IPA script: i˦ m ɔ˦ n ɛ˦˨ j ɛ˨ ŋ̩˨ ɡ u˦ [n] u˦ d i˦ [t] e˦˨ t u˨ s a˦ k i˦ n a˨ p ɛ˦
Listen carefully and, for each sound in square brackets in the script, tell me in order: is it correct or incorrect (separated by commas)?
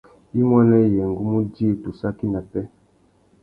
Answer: incorrect, incorrect